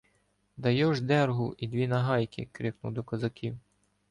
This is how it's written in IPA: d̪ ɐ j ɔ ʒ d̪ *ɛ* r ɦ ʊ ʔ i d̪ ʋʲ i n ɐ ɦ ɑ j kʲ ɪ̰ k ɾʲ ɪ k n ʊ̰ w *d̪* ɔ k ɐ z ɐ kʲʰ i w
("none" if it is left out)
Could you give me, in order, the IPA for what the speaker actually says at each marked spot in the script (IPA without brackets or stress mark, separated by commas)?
ɛ, d̪